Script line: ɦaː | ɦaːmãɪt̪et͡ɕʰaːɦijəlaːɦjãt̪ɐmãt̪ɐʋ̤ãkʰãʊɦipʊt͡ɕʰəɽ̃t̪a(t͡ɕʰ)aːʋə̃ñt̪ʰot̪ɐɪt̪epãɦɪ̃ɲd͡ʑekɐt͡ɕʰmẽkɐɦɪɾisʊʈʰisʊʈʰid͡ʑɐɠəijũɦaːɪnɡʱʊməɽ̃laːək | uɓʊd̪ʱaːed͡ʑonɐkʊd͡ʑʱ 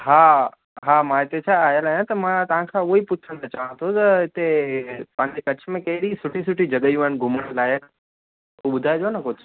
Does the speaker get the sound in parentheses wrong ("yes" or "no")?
yes